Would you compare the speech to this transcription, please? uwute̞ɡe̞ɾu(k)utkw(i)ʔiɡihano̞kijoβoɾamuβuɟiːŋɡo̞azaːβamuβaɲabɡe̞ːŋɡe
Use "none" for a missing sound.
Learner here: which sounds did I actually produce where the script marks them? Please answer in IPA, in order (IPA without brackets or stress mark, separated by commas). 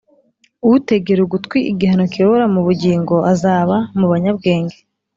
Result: ɡ, i